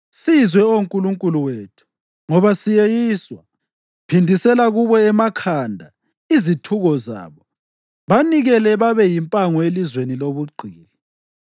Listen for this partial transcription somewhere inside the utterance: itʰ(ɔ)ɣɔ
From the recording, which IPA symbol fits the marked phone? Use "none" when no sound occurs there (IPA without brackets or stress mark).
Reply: u